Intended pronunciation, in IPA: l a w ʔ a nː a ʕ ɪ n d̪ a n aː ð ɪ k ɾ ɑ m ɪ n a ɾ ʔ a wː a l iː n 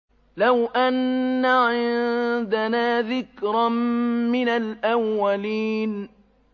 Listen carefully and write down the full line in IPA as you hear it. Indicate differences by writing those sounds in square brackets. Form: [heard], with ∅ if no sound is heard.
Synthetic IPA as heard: l a w ʔ a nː a ʕ ɪ n d̪ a n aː ð ɪ k ɾ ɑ m ɪ n a [l] ʔ a wː a l iː n